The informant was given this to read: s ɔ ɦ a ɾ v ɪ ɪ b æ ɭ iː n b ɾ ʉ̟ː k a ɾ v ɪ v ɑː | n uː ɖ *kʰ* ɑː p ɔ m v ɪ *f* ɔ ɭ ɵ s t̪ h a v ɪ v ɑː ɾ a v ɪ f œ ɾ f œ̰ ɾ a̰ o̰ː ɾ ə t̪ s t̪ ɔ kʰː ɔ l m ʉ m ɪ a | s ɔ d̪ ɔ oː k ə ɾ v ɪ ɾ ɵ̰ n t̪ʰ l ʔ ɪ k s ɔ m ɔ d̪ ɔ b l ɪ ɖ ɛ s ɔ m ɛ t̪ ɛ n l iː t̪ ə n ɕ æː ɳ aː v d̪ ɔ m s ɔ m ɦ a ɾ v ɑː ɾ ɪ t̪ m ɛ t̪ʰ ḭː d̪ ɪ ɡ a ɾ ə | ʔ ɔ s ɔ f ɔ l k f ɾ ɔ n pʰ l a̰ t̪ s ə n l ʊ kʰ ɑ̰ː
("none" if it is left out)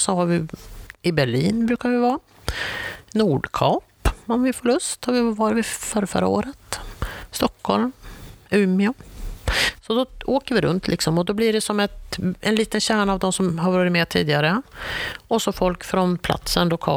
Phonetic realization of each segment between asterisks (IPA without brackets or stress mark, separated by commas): kʰ, f